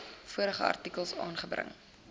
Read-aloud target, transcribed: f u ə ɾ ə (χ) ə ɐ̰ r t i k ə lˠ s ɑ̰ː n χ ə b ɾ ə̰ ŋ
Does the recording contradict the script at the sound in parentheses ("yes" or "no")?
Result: no